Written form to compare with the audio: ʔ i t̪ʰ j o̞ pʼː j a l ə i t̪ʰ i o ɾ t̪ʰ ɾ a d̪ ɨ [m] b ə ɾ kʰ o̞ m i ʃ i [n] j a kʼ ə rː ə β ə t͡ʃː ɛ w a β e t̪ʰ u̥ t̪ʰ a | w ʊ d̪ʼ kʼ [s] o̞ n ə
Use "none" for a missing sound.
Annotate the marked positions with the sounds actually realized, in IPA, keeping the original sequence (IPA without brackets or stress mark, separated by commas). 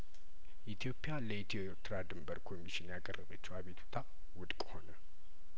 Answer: m, n, h